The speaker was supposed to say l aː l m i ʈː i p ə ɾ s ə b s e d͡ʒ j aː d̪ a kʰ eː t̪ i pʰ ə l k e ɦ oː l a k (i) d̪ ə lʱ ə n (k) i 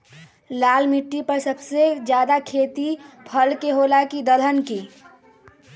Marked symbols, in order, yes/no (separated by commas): yes, yes